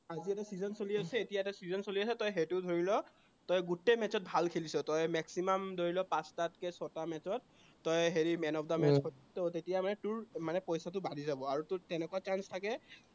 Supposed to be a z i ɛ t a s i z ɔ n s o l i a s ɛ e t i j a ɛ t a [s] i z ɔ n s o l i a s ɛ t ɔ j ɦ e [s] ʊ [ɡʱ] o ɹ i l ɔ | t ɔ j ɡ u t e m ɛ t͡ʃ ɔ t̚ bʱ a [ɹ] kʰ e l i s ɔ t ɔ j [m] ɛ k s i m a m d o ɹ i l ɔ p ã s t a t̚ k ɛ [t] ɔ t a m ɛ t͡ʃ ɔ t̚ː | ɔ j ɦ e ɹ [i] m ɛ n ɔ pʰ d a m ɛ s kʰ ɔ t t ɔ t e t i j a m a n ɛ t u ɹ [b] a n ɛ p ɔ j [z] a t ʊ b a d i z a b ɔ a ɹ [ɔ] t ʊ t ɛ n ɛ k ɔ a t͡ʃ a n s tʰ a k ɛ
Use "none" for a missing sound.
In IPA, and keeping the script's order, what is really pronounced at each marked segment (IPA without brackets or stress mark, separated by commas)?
s, t, dʱ, l, m, s, i, m, s, u